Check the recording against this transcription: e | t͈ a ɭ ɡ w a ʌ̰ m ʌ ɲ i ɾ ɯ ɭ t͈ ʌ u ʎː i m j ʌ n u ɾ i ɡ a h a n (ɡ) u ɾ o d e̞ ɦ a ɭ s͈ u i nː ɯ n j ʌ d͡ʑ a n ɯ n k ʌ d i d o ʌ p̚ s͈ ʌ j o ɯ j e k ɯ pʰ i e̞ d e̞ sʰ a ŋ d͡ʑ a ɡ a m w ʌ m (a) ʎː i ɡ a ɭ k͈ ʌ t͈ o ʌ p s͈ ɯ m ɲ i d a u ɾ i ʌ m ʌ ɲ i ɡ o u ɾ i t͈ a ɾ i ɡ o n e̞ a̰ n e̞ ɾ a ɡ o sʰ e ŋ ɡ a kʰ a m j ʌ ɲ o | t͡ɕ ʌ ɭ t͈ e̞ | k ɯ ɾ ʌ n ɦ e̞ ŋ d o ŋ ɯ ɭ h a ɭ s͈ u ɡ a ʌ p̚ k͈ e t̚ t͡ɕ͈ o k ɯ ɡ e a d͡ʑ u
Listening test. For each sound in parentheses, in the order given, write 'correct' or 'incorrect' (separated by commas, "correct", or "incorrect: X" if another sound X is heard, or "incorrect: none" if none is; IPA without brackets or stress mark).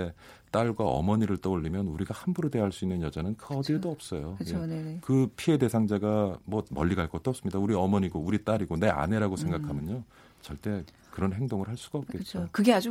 incorrect: b, incorrect: ʌ